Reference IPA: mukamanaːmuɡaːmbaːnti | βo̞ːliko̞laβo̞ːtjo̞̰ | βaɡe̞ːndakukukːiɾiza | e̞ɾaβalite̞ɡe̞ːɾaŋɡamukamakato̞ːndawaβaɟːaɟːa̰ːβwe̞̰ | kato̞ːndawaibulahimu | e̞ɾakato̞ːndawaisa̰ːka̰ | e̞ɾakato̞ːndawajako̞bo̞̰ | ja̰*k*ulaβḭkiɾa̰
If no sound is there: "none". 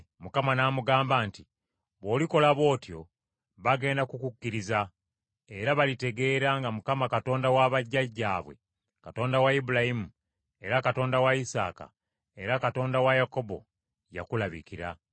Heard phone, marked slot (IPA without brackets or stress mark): k